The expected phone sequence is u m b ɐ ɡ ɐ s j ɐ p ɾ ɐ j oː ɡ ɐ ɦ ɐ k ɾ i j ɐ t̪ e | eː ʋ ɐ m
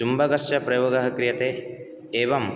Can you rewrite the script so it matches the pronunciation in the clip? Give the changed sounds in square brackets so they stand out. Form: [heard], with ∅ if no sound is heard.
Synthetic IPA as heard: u m b ɐ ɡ ɐ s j ɐ p ɾ ɐ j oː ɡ ɐ ɦ ɐ k ɾ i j ɐ t̪ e | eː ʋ ɐ m

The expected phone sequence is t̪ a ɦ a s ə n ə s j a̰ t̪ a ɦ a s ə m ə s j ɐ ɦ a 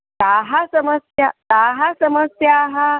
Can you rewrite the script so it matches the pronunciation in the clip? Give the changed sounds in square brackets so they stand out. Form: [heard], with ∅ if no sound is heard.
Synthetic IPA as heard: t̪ a ɦ a s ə [m] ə s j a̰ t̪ a ɦ a s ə m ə s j [a] ɦ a

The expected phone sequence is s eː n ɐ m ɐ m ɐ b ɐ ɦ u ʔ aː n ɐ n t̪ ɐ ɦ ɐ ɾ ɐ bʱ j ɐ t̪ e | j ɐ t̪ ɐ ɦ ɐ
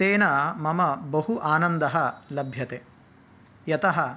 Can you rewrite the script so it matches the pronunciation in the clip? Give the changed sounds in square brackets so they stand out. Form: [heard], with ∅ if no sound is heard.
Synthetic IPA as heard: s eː n ɐ m ɐ m ɐ b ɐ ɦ u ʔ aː n ɐ n [d̪] ɐ ɦ ɐ [l] ɐ bʱ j ɐ t̪ e | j ɐ t̪ ɐ ɦ ɐ

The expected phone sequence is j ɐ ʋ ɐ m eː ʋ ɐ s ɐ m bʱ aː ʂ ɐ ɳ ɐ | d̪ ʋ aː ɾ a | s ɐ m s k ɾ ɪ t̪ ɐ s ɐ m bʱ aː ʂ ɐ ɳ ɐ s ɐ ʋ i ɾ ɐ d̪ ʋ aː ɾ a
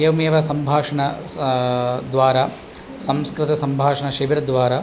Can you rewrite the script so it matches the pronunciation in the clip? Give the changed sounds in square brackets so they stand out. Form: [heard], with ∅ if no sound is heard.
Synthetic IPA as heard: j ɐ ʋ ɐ m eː ʋ ɐ s ɐ m bʱ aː ʂ ɐ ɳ ɐ | d̪ ʋ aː ɾ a | s ɐ m s k ɾ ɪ t̪ ɐ s ɐ m bʱ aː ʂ ɐ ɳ ɐ [ʃ] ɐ ʋ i ɾ ɐ d̪ ʋ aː ɾ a

